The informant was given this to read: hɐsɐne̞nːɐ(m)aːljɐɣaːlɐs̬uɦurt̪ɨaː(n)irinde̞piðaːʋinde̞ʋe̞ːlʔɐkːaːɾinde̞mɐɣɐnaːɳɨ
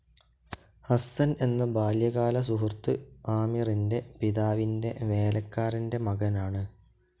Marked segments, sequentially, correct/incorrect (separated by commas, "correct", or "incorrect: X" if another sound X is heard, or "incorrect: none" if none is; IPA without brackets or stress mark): incorrect: b, incorrect: m